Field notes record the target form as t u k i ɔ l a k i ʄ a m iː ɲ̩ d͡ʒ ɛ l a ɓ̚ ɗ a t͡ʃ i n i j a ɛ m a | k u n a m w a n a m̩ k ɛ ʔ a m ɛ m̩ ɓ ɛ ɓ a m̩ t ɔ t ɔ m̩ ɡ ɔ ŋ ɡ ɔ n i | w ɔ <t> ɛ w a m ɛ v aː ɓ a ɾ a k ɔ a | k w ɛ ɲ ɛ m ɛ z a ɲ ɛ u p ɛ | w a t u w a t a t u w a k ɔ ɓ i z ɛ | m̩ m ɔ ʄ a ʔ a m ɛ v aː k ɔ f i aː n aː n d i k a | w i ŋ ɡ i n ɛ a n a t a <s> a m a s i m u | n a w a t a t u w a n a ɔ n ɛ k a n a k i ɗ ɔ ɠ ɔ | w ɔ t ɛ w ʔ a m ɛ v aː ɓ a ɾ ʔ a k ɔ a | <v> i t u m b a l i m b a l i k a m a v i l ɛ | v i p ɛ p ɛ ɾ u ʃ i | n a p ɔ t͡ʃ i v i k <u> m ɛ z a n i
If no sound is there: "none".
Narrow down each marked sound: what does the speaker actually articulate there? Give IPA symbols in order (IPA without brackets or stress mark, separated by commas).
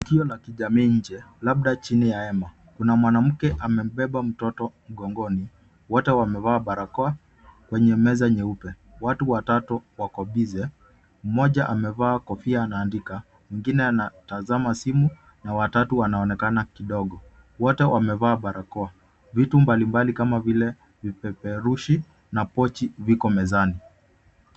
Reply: t, z, v, ɔ